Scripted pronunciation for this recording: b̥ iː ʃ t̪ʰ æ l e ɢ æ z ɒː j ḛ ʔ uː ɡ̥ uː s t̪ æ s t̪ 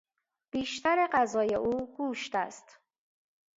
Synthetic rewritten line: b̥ iː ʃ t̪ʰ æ ɾ e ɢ æ z ɒː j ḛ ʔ uː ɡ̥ uː ʃ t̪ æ s t̪